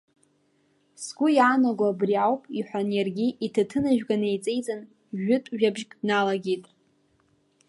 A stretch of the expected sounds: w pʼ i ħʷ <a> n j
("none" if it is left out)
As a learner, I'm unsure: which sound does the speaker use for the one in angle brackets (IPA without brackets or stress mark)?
a